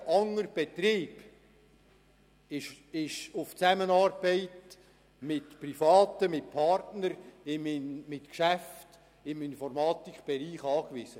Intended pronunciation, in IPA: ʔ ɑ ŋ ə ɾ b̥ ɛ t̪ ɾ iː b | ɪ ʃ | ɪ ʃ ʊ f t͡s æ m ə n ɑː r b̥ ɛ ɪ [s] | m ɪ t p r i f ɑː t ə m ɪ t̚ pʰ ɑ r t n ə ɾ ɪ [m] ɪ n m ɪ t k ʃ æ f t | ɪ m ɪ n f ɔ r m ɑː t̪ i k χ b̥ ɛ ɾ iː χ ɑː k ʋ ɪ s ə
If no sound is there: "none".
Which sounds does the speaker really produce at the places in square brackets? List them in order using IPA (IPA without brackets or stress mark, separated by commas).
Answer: t, m